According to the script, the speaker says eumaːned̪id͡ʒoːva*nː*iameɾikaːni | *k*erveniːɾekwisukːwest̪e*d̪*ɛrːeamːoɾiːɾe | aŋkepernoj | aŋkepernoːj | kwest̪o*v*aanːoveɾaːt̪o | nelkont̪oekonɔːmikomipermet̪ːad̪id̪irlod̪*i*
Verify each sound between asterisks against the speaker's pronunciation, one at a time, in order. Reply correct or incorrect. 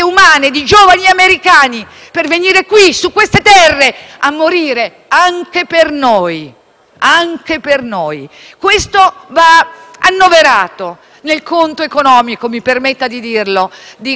incorrect, incorrect, incorrect, correct, correct

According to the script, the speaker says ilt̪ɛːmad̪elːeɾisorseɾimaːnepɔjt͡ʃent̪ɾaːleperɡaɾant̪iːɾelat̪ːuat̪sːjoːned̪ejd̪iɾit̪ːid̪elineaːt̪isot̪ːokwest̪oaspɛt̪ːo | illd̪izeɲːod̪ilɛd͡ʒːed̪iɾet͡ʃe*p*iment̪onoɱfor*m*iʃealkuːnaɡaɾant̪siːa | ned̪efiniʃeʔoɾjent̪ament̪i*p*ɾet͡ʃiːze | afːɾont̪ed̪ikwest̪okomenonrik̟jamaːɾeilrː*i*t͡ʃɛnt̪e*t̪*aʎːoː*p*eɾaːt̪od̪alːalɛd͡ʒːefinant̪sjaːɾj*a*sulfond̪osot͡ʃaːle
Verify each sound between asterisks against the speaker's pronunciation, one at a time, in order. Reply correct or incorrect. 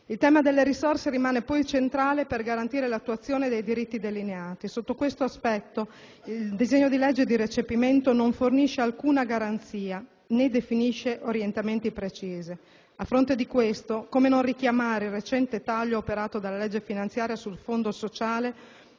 correct, incorrect, correct, incorrect, correct, correct, correct

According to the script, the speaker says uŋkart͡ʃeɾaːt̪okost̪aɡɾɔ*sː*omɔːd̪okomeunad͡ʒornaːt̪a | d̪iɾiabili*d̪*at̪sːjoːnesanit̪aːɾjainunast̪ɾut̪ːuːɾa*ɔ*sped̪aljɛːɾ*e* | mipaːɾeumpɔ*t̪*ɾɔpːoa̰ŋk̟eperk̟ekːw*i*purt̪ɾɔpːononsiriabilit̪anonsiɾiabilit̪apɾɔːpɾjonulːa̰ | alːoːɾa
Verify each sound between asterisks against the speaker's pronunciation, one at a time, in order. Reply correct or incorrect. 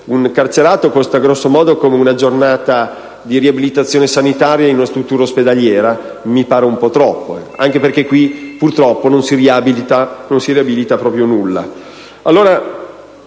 correct, incorrect, incorrect, incorrect, correct, correct

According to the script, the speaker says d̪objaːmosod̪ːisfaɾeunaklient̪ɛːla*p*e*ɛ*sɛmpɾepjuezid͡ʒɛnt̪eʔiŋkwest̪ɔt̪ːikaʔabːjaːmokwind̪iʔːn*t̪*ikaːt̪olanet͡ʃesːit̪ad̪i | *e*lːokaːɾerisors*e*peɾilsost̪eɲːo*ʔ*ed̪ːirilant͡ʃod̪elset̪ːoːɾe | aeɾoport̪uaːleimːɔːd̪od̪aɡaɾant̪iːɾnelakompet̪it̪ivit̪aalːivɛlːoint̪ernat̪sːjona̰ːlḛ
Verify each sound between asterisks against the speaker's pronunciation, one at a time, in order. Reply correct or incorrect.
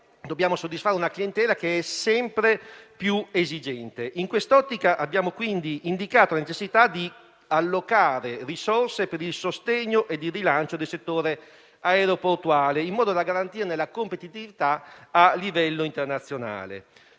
incorrect, correct, incorrect, incorrect, correct, correct

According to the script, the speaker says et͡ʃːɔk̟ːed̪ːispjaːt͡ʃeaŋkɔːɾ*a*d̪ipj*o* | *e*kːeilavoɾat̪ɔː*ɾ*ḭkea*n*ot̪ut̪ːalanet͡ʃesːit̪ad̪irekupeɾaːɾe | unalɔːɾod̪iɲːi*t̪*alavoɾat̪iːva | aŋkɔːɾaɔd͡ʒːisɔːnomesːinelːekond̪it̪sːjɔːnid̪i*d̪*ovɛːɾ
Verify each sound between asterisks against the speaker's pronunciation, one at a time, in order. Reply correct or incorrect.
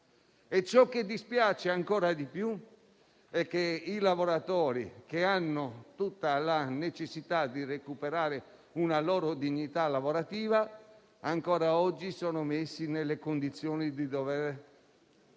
correct, incorrect, incorrect, correct, incorrect, correct, correct

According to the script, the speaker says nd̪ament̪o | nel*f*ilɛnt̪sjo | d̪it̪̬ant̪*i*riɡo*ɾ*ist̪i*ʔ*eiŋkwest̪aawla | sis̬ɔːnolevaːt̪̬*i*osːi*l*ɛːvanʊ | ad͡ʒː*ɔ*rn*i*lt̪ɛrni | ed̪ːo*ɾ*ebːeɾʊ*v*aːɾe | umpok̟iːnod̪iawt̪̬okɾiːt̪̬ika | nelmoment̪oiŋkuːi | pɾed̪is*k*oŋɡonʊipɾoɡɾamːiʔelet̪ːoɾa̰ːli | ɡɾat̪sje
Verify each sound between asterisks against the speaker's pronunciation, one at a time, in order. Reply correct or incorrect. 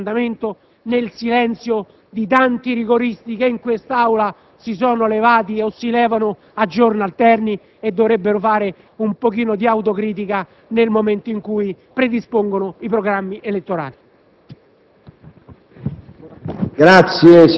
incorrect, correct, correct, incorrect, correct, correct, incorrect, incorrect, correct, incorrect, incorrect

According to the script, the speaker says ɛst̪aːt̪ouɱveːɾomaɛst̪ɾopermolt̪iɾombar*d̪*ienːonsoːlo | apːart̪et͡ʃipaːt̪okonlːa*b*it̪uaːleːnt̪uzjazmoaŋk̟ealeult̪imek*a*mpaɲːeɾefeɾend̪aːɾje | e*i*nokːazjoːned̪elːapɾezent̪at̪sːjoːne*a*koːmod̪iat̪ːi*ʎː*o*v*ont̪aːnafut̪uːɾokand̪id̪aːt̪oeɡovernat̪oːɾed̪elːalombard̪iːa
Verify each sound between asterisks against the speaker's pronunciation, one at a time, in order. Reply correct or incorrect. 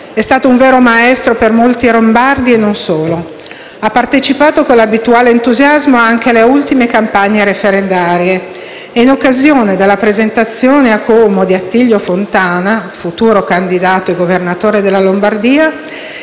correct, correct, correct, correct, correct, correct, incorrect

